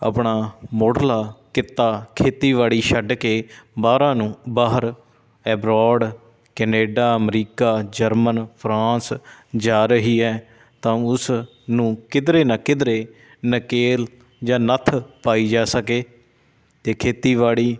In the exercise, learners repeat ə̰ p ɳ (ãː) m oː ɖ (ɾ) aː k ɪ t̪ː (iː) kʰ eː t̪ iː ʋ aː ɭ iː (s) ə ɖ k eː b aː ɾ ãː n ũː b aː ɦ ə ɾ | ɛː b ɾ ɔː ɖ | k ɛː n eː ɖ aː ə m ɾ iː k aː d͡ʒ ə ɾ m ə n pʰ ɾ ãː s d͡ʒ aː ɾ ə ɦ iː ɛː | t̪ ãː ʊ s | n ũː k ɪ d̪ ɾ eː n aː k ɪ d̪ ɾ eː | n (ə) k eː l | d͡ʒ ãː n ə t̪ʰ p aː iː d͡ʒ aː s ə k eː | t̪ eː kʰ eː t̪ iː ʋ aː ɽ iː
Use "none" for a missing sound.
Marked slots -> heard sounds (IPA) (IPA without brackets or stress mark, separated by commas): aː, l, aː, ʃ, ə